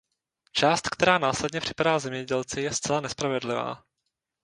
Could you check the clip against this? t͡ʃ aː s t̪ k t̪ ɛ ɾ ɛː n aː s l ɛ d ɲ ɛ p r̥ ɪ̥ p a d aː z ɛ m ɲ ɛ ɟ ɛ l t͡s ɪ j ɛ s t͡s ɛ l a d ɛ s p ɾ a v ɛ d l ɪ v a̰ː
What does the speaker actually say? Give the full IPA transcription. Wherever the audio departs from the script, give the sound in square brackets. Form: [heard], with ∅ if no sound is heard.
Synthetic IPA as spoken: t͡ʃ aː s t̪ k t̪ ɛ ɾ [aː] n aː s l ɛ d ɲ ɛ p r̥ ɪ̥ p a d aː z ɛ m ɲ ɛ ɟ ɛ l t͡s ɪ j ɛ s t͡s ɛ l a [n] ɛ s p ɾ a v ɛ d l ɪ v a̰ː